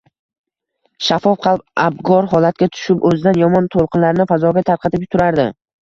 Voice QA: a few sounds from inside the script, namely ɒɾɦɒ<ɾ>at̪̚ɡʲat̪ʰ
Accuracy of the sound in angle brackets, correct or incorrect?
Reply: incorrect